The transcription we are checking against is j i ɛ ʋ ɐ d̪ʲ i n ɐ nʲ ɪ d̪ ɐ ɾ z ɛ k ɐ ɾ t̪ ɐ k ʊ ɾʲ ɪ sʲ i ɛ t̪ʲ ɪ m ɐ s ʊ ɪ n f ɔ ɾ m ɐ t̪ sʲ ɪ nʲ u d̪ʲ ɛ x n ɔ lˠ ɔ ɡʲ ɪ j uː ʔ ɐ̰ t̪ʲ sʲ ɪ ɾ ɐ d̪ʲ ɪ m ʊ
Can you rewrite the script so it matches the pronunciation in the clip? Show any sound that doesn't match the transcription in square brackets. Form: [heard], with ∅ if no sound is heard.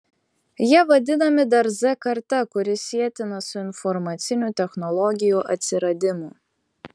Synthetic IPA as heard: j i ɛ ʋ ɐ d̪ʲ [ɪ] n ɐ [mʲ] ɪ d̪ ɐ ɾ z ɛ k ɐ ɾ t̪ ɐ k ʊ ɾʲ ɪ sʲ i ɛ t̪ʲ ɪ [n] ɐ s ʊ ɪ n f ɔ ɾ m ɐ t̪ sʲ ɪ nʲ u [t̪ʲ] ɛ x n ɔ lˠ ɔ ɡʲ ɪ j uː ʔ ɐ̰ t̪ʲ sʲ ɪ ɾ ɐ d̪ʲ ɪ m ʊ

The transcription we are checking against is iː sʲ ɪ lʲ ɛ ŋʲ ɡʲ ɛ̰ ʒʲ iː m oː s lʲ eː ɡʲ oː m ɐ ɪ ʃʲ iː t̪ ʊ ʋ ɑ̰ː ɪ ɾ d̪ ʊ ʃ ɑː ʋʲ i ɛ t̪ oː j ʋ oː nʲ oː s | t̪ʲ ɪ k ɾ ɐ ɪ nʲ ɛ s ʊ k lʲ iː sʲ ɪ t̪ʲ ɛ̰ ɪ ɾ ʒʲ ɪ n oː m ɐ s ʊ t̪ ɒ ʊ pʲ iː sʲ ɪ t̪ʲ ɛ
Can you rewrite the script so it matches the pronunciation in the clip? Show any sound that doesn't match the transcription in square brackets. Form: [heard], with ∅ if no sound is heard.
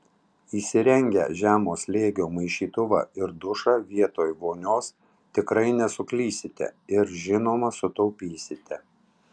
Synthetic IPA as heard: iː sʲ ɪ [ɾʲ] ɛ ŋʲ ɡʲ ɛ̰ ʒʲ [æː] m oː s lʲ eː ɡʲ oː m ɐ ɪ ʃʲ iː t̪ ʊ ʋ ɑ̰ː ɪ ɾ d̪ ʊ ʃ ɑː ʋʲ i ɛ t̪ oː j ʋ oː nʲ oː s | t̪ʲ ɪ k ɾ ɐ ɪ nʲ ɛ s ʊ k lʲ iː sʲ ɪ t̪ʲ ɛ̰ ɪ ɾ ʒʲ ɪ n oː m ɐ s ʊ t̪ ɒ ʊ pʲ iː sʲ ɪ t̪ʲ ɛ

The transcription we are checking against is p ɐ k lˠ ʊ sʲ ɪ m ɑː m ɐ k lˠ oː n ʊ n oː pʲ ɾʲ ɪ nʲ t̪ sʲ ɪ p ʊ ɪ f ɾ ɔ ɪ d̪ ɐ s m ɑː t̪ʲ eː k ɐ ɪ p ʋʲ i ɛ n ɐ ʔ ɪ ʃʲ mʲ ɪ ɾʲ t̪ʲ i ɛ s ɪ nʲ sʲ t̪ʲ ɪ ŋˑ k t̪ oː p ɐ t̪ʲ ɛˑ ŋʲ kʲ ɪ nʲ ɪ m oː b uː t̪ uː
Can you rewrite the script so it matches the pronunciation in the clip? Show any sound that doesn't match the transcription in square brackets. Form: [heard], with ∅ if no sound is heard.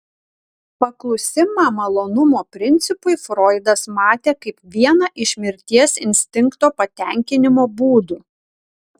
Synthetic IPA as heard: p ɐ k lˠ ʊ sʲ ɪ m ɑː m ɐ [∅] lˠ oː n ʊ [m] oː pʲ ɾʲ ɪ nʲ t̪ sʲ ɪ p ʊ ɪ f ɾ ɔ ɪ d̪ ɐ s m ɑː t̪ʲ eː k ɐ ɪ p ʋʲ i ɛ n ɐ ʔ ɪ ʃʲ mʲ ɪ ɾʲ t̪ʲ i ɛ s ɪ nʲ sʲ t̪ʲ ɪ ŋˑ k t̪ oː p ɐ t̪ʲ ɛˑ ŋʲ kʲ ɪ nʲ ɪ m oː b uː [d̪] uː

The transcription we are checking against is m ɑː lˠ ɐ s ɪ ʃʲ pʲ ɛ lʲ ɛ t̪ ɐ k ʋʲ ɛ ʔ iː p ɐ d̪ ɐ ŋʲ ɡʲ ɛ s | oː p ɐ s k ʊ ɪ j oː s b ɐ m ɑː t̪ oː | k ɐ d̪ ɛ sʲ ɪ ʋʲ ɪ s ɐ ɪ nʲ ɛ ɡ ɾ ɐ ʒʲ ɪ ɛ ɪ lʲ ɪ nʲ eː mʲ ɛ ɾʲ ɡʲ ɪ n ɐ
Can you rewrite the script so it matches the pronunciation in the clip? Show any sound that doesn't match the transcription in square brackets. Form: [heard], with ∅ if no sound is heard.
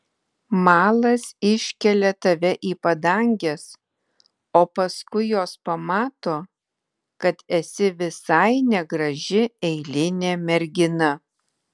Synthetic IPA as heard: m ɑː lˠ ɐ s ɪ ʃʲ [kʲ] ɛ lʲ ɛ t̪ ɐ [∅] ʋʲ ɛ ʔ iː p ɐ d̪ ɐ ŋʲ ɡʲ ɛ s | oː p ɐ s k ʊ ɪ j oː s [p] ɐ m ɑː t̪ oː | k ɐ [t̪] ɛ sʲ ɪ ʋʲ ɪ s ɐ ɪ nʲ ɛ ɡ ɾ ɐ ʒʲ ɪ ɛ ɪ lʲ ɪ nʲ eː mʲ ɛ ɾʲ ɡʲ ɪ n ɐ

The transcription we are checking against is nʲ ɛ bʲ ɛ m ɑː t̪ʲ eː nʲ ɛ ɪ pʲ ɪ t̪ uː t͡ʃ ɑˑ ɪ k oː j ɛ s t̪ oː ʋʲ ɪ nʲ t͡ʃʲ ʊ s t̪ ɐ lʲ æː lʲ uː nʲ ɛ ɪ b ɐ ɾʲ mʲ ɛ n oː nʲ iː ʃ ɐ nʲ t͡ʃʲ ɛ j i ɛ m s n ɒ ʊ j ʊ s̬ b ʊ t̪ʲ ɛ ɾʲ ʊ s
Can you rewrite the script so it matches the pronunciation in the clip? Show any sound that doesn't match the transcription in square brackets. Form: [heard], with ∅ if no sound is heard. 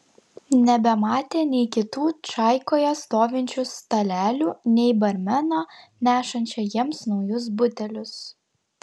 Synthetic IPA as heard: nʲ ɛ bʲ ɛ m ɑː t̪ʲ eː nʲ ɛ ɪ [kʲ] ɪ t̪ uː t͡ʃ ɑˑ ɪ k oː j ɛ s t̪ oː ʋʲ ɪ nʲ t͡ʃʲ ʊ s t̪ ɐ lʲ æː lʲ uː nʲ ɛ ɪ b ɐ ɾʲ mʲ ɛ n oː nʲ [æː] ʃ ɐ nʲ t͡ʃʲ ɛ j i ɛ m s n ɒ ʊ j ʊ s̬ b ʊ t̪ʲ ɛ [lʲ] ʊ s

